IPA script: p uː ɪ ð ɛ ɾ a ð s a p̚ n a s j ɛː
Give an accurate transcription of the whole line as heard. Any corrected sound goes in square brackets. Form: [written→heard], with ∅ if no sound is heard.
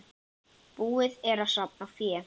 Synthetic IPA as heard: p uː ɪ ð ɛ ɾ a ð s a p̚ n a [s→f] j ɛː